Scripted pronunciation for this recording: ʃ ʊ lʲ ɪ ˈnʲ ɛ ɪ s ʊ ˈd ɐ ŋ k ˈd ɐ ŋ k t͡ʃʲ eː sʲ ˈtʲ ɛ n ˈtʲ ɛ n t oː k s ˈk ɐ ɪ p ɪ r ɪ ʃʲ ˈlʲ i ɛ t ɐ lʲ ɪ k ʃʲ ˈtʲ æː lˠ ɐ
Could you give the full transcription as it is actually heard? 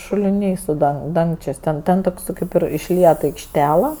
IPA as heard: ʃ ʊ lʲ ɪ ˈnʲ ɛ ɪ s ʊ ˈd ɐ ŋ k ˈd ɐ ŋ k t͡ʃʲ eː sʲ ˈtʲ ɛ n ˈtʲ ɛ n t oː k s ˈk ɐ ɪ p ɪ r ɪ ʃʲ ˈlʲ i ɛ t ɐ ɪ k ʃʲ ˈtʲ æː lˠ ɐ